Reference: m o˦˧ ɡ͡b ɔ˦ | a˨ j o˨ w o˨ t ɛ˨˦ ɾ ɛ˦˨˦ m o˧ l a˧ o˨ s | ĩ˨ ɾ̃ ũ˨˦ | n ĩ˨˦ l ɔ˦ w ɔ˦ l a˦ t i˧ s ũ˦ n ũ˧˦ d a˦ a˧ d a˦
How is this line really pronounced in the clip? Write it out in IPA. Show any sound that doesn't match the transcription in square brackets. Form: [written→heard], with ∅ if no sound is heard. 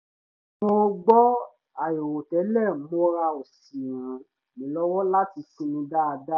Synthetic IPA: m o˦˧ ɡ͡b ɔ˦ | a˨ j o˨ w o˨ t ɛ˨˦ [ɾ→l] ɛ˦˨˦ m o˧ [l→ɾ] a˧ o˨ s | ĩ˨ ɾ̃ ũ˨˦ | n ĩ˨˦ l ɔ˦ w ɔ˦ l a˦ t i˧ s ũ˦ n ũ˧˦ d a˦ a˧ d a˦